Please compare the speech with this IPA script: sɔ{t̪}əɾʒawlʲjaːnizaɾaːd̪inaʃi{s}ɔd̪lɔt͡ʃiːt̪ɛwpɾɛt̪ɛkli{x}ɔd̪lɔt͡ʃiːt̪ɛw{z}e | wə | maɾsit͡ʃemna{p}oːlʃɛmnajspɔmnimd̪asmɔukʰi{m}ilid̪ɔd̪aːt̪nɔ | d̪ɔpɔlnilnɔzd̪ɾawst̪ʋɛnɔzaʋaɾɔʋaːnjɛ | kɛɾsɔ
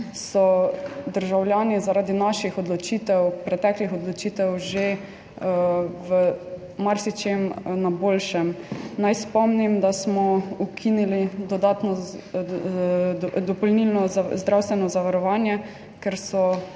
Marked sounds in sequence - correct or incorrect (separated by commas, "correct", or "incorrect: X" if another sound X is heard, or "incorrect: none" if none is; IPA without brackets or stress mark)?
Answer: incorrect: d̪, incorrect: x, correct, incorrect: ʒ, incorrect: b, incorrect: n